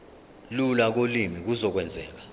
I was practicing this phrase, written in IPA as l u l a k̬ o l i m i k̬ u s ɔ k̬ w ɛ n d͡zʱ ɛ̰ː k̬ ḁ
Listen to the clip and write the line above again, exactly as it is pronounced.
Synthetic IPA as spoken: l u l a k̬ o l i m i k̬ u z ɔ k̬ w ɛ n d͡zʱ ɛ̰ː k̬ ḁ